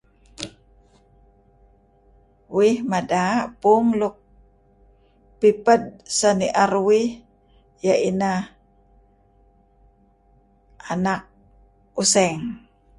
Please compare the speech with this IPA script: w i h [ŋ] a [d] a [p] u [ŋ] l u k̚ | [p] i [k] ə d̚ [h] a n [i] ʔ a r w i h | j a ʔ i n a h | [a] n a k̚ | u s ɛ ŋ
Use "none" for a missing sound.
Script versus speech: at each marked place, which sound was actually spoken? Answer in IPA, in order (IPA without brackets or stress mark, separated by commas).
m, d, p, ŋ, p, p, s, i, a